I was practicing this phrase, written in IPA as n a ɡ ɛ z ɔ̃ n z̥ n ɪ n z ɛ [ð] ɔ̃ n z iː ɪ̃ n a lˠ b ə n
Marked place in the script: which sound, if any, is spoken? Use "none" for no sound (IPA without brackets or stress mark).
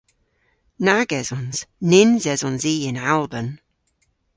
z